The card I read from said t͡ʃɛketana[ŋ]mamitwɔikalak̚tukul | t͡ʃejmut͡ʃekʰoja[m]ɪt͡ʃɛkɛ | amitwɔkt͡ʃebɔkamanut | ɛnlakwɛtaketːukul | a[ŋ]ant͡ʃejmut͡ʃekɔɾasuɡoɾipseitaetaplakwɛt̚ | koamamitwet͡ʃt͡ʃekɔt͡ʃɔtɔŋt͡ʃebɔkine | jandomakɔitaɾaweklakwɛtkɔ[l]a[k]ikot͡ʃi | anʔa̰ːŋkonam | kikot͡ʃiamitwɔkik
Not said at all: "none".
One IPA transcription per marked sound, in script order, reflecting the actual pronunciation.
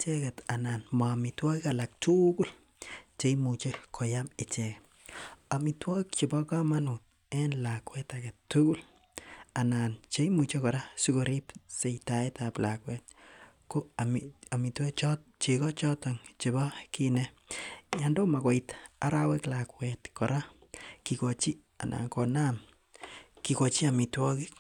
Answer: n, m, n, ɾ, k

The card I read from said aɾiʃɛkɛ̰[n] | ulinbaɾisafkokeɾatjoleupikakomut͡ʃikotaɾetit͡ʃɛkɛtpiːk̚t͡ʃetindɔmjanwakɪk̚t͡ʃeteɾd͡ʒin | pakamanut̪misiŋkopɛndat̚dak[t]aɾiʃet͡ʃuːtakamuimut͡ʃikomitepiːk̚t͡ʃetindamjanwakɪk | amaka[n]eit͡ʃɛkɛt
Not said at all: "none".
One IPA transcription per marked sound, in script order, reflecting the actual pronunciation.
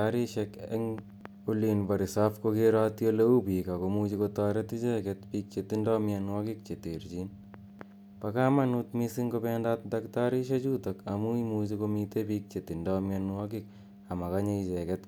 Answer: ŋ, t, ɲ

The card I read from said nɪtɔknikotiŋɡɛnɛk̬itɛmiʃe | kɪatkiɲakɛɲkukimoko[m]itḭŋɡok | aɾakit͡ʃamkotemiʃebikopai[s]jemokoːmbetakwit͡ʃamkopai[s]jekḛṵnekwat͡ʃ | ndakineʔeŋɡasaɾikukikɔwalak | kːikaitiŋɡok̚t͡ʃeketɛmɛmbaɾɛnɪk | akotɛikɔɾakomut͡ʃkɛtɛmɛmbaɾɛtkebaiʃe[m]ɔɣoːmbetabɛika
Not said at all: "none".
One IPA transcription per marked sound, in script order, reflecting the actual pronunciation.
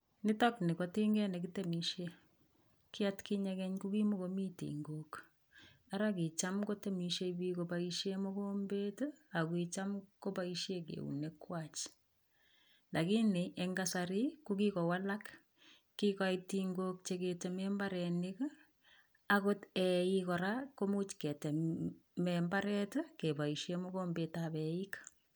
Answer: m, ʃ, ʃ, m

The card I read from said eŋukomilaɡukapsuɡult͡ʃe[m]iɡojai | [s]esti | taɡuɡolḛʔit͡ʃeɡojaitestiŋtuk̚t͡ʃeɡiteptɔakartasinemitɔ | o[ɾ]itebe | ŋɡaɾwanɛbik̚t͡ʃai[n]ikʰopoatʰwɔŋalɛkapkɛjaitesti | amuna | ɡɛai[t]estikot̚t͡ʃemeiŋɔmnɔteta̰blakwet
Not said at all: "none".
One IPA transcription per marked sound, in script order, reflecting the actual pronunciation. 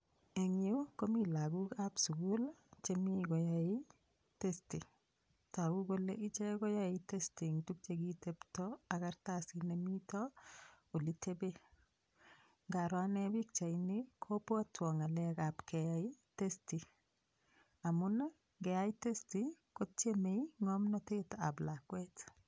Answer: m, t, l, n, t

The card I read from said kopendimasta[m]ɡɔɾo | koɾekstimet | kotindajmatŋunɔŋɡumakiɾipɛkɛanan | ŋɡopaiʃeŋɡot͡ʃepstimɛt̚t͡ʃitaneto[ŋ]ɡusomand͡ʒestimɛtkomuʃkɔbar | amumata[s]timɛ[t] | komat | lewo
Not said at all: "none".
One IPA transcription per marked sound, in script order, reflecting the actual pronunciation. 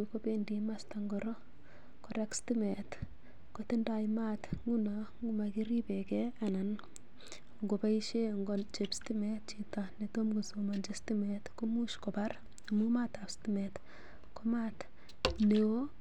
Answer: ŋ, m, s, t

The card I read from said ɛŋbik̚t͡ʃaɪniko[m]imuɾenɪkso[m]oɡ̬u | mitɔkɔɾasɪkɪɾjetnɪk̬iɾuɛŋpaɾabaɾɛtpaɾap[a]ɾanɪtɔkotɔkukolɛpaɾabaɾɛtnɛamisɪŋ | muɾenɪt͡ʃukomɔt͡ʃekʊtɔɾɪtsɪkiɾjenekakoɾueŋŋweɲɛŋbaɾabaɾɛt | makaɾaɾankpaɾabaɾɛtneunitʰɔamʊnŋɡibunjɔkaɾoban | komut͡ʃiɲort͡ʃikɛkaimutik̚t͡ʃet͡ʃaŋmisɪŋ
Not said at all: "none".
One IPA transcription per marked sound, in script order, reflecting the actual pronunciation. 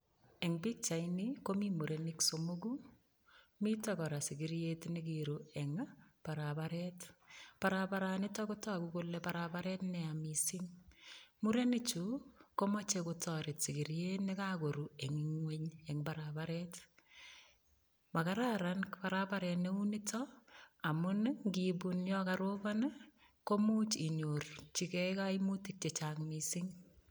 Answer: m, m, a

